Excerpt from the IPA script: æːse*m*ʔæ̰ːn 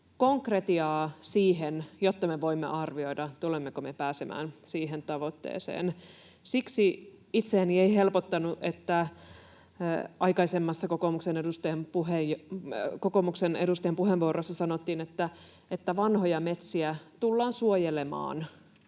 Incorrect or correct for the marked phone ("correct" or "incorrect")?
correct